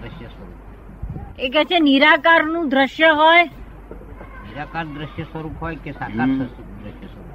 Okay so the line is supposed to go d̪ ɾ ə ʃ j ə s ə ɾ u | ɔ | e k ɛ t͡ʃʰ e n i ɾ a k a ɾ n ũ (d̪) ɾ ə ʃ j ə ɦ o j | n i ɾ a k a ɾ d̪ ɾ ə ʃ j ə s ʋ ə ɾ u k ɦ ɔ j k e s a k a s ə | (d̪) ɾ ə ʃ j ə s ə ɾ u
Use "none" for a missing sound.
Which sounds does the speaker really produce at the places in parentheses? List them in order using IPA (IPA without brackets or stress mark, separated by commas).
d̪, d̪